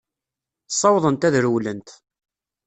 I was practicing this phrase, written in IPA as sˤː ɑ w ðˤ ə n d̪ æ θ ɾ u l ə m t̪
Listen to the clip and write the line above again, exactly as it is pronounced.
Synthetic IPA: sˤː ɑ w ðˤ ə n t̪ æ ð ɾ w l ə n t̪